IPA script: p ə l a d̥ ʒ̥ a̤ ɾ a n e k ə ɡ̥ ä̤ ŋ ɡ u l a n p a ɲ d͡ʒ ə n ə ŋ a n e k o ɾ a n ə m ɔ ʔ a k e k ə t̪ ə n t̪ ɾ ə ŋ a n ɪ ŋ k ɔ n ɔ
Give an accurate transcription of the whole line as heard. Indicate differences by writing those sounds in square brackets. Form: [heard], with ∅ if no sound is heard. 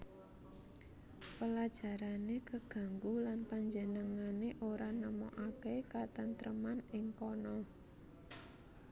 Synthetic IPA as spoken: p ə l a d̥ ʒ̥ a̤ ɾ a n e k ə ɡ̥ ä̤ ŋ ɡ u l a n p a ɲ d͡ʒ ə n ə ŋ a n e [ʔ] o ɾ a n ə m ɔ ʔ a k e k [a] t̪ ə n t̪ ɾ ə [m] a n ɪ ŋ k ɔ n ɔ